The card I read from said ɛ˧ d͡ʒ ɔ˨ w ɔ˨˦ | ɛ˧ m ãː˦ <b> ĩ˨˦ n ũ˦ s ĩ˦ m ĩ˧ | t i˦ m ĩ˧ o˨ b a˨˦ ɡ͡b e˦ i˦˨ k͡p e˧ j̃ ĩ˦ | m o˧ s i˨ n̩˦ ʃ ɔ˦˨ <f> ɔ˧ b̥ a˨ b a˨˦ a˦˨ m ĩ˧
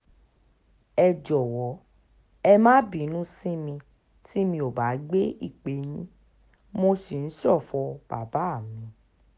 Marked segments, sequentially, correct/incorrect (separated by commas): correct, correct